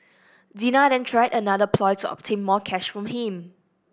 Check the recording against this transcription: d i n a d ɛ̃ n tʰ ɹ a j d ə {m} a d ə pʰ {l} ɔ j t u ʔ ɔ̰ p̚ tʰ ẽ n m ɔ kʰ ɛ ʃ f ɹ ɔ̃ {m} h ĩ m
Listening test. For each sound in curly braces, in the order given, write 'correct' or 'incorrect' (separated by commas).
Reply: incorrect, correct, correct